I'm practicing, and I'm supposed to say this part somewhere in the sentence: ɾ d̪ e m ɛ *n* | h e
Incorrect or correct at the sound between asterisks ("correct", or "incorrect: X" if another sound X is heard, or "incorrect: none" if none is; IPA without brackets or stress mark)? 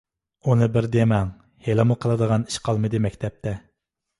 incorrect: ŋ